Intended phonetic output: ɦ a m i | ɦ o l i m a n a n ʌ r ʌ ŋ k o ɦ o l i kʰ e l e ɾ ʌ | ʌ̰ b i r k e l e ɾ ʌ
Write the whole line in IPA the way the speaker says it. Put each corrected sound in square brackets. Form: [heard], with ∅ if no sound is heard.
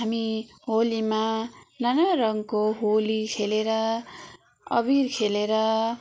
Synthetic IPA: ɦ a m i | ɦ o l i m a n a n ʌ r ʌ ŋ k o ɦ o l i kʰ e l e ɾ ʌ | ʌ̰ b i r [kʰ] e l e ɾ ʌ